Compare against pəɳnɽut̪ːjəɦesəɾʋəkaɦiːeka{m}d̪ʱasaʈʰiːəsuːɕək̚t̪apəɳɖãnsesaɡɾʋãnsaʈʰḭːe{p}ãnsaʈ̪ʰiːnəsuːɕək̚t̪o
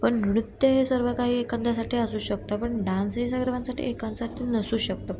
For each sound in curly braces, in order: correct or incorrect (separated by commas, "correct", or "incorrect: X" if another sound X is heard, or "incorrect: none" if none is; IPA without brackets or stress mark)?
incorrect: n, incorrect: k